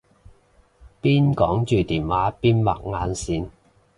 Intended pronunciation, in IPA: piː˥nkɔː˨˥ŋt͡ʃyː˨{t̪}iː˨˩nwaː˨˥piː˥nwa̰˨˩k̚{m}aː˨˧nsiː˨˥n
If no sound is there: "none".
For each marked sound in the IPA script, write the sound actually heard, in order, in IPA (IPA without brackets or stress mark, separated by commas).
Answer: t̪, ŋ